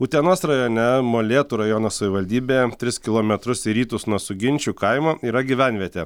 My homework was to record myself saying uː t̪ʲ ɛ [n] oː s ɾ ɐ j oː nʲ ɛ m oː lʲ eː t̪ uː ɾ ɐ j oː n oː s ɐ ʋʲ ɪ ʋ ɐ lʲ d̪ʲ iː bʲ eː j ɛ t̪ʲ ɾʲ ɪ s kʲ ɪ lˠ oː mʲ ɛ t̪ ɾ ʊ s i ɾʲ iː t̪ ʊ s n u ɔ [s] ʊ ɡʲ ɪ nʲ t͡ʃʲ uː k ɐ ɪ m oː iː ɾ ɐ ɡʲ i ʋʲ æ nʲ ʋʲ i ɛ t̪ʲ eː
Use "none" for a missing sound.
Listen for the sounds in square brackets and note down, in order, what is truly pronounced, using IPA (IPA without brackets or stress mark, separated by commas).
n, s